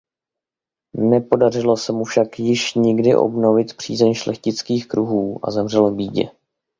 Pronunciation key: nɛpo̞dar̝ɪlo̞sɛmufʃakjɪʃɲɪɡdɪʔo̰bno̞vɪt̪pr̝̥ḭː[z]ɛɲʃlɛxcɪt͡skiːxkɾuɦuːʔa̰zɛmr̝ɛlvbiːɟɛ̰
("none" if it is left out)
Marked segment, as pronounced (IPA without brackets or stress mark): z